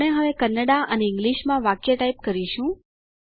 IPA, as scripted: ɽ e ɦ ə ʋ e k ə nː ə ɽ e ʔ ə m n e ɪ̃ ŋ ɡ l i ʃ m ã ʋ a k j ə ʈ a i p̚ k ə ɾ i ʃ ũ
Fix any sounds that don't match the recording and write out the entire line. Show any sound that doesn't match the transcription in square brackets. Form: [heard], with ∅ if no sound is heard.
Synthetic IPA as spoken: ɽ e ɦ ə ʋ e k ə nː ə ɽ [a] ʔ ə [∅] n e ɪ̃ ŋ ɡ l i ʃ m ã ʋ a k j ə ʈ a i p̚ k ə ɾ i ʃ ũ